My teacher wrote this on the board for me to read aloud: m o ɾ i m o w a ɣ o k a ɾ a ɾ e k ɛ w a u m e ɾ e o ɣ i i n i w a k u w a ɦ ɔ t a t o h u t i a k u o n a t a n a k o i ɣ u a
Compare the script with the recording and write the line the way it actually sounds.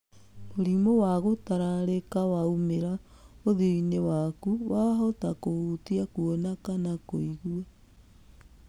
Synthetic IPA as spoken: m o ɾ i m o w a ɣ o t a ɾ a ɾ e k a w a u m e ɾ a o ð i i n e w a k u w a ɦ ɔ t a k o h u t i a k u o n a k a n a k o i ɣ u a

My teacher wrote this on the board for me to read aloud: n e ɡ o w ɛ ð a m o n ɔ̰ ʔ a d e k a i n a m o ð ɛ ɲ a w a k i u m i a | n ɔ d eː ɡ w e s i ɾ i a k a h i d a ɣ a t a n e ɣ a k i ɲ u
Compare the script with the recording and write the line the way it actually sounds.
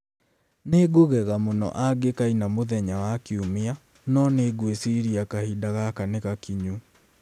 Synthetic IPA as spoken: n e ɡ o ɣ ɛ ɣ a m o n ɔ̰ ʔ a ɡ e k a i n a m o ð ɛ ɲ a w a k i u m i a | n ɔ n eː ɡ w e s i ɾ i a k a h i d a ɣ a k a n e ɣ a k i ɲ u

